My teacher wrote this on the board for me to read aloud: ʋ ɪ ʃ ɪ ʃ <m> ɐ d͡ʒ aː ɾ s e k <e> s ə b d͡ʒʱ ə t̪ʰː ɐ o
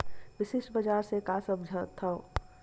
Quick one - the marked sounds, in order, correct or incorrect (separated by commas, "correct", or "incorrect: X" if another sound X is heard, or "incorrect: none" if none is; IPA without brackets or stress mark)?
incorrect: b, incorrect: a